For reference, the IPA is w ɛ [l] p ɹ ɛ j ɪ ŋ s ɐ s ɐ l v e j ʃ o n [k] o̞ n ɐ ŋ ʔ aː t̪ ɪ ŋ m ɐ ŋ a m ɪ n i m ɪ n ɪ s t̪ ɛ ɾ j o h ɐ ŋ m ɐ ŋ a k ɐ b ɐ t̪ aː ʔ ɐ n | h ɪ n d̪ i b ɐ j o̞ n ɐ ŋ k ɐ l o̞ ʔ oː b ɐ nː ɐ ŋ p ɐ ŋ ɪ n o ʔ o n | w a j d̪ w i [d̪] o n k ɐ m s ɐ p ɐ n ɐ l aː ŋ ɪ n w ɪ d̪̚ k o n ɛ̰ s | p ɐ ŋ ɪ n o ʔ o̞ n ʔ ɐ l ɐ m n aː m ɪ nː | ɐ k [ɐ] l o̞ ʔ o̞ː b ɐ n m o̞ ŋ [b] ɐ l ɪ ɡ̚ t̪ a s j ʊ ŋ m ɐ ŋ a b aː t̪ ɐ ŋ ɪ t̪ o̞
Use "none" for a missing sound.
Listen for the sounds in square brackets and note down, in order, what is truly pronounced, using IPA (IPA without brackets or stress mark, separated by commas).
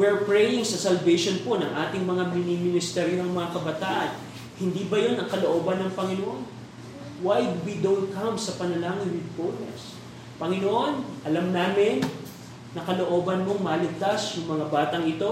ɹ, p, d̪, ɐ, m